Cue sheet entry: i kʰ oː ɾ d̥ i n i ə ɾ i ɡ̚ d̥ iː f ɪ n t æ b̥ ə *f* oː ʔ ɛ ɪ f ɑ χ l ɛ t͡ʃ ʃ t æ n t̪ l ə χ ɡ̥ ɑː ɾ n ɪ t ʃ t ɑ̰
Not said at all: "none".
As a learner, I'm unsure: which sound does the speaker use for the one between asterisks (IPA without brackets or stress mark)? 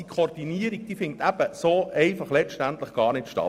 s